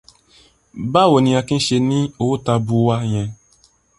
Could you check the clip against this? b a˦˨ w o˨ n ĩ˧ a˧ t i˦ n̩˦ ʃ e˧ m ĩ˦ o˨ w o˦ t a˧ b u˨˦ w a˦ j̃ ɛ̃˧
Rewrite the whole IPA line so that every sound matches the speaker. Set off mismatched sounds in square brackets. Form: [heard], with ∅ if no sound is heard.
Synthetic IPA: b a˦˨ w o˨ n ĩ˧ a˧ [k] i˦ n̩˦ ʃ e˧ [n] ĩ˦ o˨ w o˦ t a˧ b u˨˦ w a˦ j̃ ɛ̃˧